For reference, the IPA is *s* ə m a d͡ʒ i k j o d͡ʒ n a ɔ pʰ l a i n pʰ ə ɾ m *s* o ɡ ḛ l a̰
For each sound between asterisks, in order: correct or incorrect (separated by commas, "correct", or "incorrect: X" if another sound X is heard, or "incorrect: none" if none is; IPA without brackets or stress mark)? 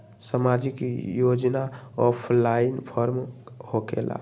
correct, incorrect: h